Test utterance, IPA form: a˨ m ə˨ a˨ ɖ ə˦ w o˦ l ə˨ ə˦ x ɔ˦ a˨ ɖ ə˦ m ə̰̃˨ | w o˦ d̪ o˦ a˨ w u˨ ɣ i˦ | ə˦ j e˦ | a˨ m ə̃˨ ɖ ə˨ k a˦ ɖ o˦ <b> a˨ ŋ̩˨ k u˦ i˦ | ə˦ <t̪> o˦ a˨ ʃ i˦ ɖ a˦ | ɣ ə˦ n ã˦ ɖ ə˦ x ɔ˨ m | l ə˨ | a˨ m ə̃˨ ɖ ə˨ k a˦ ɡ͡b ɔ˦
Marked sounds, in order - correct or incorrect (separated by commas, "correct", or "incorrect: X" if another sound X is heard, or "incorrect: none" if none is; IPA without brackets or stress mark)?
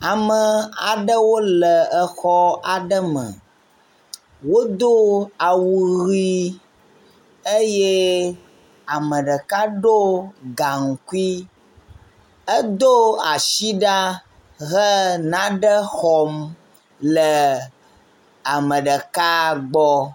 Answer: incorrect: ɡ, incorrect: d̪